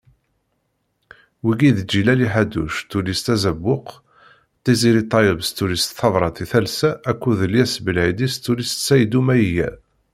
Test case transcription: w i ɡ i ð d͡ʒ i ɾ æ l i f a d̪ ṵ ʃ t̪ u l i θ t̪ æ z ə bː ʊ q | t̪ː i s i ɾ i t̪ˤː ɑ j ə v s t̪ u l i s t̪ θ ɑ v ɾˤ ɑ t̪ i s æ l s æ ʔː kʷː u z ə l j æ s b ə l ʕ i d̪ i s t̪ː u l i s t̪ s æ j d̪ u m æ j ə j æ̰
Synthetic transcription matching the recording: w i ɡ i ð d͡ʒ i l æ l i ħ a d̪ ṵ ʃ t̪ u l i s t̪ æ z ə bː ʊ q | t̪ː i z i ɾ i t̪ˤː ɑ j ə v s t̪ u l i s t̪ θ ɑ v ɾˤ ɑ t̪ i θ æ l s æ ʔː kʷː u ð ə l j æ s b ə l ʕ i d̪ i s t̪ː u l i s t̪ s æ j d̪ u m æ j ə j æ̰

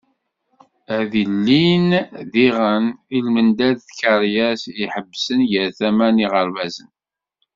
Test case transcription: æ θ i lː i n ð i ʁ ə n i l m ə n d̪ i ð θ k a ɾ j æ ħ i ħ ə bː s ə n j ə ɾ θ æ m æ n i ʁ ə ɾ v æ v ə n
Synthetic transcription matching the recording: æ ð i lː i n ð i ʁ ə n i l m ə n d̪ æ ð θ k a ɾ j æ s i ħ ə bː s ə n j ə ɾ θ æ m æ n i ʁ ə ɾ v æ z ə n

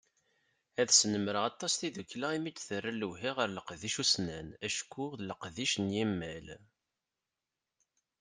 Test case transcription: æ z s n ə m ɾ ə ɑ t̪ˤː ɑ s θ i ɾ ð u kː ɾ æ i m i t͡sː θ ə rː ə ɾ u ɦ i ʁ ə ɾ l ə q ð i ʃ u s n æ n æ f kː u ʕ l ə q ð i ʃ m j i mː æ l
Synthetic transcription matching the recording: æ ð s n ə m ɾ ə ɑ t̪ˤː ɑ s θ i ð u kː l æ i m i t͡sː θ ə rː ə l u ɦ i ʁ ə ɾ l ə q ð i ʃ u s n æ n æ ʃ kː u ð l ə q ð i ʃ n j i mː æ l

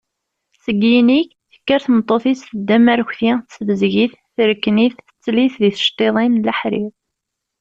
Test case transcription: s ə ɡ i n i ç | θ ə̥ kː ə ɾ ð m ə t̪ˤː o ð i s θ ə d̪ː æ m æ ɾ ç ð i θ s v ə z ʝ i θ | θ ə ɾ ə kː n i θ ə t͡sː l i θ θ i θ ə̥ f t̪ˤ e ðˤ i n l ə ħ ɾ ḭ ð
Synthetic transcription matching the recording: s ə ɡ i n i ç | θ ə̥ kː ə ɾ θ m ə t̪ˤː o θ i s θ ə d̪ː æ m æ ɾ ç θ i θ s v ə z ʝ i θ | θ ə ɾ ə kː n i θ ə t͡sː l i θ ð i θ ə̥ ʃ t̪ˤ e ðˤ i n l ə ħ ɾ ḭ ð

